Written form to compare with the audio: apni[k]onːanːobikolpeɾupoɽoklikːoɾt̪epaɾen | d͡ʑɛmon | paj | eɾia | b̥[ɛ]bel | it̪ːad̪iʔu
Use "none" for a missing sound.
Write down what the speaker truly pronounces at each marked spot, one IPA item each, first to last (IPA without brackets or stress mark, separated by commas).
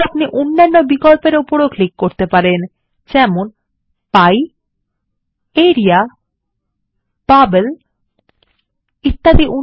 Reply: ʔ, a